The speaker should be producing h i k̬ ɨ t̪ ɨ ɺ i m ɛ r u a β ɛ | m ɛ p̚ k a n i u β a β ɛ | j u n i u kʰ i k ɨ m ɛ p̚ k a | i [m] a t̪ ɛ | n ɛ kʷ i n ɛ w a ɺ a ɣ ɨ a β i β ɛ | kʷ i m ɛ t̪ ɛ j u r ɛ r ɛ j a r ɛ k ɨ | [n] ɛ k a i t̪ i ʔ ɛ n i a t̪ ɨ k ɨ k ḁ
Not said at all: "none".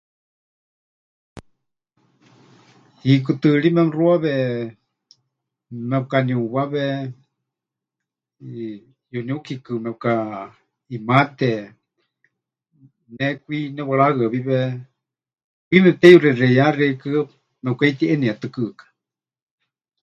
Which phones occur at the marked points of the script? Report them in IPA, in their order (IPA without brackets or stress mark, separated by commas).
m, m